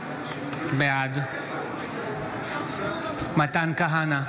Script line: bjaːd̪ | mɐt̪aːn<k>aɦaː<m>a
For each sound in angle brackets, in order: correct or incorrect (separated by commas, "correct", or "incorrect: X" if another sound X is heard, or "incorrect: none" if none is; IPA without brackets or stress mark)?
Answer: correct, incorrect: n